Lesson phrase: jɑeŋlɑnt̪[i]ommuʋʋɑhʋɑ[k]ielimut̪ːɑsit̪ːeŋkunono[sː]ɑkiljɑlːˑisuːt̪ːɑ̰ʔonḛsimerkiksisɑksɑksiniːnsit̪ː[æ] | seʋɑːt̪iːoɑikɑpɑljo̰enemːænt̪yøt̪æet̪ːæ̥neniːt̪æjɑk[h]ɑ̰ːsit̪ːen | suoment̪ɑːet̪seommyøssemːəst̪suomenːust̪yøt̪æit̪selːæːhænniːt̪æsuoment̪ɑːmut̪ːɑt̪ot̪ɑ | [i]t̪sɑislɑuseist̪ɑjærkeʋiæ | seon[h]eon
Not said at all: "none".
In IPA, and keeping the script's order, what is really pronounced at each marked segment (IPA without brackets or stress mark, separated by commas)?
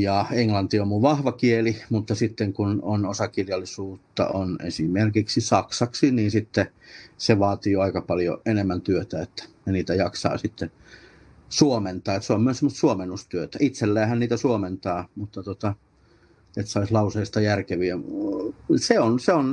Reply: i, k, s, e, s, e, s